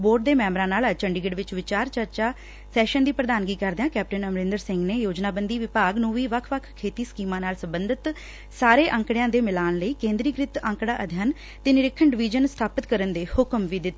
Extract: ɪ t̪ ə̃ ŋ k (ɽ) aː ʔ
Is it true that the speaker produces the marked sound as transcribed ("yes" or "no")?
yes